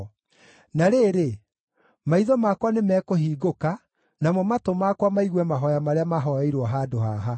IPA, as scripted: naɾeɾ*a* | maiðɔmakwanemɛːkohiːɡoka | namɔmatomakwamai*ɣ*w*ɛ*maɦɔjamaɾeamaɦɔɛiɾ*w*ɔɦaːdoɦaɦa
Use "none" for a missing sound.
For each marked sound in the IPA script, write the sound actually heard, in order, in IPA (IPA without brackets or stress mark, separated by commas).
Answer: e, ɣ, ɛ, w